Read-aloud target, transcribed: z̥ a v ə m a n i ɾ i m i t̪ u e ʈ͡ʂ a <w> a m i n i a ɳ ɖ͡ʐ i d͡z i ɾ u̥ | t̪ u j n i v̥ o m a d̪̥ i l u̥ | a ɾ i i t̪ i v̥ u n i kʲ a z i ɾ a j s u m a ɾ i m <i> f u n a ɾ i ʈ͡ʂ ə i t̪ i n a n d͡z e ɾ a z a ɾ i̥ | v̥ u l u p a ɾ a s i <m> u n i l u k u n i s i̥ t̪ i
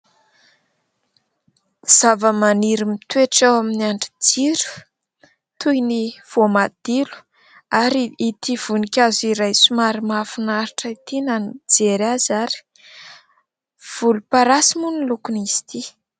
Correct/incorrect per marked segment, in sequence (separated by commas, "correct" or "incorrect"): correct, incorrect, correct